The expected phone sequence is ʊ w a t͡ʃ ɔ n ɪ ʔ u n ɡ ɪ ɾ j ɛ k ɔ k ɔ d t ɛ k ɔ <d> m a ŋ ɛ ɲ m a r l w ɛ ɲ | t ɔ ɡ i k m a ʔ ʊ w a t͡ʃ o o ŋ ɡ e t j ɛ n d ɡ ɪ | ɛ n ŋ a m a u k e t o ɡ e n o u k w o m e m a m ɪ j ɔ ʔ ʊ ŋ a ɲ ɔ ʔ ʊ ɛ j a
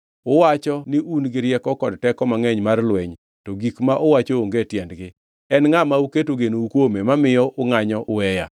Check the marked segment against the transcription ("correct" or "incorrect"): incorrect